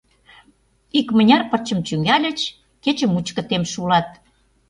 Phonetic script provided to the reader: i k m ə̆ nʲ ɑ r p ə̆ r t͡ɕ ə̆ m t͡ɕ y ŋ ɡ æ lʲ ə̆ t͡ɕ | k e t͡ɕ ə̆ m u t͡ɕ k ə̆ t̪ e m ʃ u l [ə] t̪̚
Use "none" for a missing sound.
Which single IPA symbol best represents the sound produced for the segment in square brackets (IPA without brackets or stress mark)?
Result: ɑ